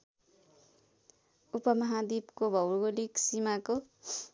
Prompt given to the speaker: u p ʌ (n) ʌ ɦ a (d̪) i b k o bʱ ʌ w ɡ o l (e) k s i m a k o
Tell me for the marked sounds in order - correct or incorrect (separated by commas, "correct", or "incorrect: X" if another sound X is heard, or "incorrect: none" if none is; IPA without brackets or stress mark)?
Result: incorrect: m, correct, incorrect: i